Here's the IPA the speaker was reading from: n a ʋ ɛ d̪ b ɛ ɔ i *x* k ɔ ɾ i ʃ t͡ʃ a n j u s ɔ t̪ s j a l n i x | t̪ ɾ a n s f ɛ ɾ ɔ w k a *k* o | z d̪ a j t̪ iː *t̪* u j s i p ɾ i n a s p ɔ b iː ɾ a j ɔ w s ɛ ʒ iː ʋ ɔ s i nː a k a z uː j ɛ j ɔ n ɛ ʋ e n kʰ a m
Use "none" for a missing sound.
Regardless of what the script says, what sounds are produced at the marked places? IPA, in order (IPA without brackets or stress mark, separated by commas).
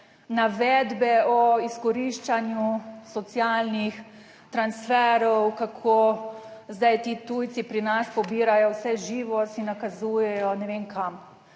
s, kʰ, t̪